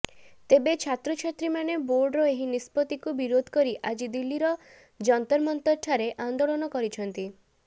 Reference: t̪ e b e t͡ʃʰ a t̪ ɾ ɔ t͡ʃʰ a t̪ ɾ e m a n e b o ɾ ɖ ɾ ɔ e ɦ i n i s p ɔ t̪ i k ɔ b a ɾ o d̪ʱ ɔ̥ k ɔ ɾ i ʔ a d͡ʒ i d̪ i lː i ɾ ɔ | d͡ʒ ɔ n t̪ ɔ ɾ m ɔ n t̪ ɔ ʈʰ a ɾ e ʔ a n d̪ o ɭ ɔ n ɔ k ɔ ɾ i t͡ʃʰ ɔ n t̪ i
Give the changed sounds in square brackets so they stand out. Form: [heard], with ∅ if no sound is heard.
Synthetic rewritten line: t̪ e b e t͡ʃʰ a t̪ ɾ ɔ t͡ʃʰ a t̪ ɾ [i] m a n e b o ɾ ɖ ɾ ɔ e ɦ i n i s p ɔ t̪ i k [u] b [i] ɾ o d̪ʱ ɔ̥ k ɔ ɾ i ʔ a d͡ʒ i d̪ i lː i ɾ ɔ | d͡ʒ ɔ n t̪ ɔ ɾ m ɔ n t̪ ɔ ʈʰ a ɾ e ʔ a n d̪ o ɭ ɔ n ɔ k ɔ ɾ i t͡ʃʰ ɔ n t̪ i

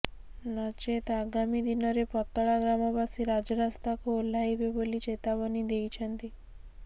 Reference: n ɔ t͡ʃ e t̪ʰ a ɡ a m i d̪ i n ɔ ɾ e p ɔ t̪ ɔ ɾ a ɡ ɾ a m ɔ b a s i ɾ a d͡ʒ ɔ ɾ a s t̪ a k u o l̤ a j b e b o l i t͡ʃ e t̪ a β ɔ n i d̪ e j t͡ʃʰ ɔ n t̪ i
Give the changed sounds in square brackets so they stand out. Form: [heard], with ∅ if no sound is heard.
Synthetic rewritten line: n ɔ t͡ʃ e [t̪] a ɡ a m i d̪ i n ɔ ɾ e p ɔ t̪ ɔ [ɭ] a ɡ ɾ a m ɔ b a s i ɾ a d͡ʒ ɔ ɾ a s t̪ a k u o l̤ a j b e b o l i t͡ʃ e t̪ a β ɔ n i d̪ e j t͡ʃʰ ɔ n t̪ i

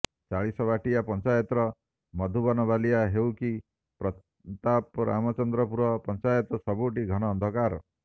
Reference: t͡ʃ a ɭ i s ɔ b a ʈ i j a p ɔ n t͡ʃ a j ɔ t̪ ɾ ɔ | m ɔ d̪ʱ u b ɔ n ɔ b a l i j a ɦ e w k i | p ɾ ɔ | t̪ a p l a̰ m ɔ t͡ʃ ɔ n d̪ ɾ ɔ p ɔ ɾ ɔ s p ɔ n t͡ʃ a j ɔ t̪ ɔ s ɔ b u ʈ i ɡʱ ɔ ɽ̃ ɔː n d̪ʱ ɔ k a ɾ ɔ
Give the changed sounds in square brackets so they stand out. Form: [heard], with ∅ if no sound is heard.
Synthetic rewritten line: t͡ʃ a ɭ i s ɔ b a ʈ i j a p ɔ n t͡ʃ a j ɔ t̪ ɾ ɔ | m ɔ d̪ʱ u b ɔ n ɔ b a l i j a ɦ e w k i | p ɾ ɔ | t̪ a p [ɾ] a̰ m ɔ t͡ʃ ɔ n d̪ ɾ ɔ p [u] ɾ ɔ [∅] p ɔ n t͡ʃ a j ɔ t̪ ɔ s ɔ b u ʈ i ɡʱ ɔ ɽ̃ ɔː n d̪ʱ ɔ k a ɾ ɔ

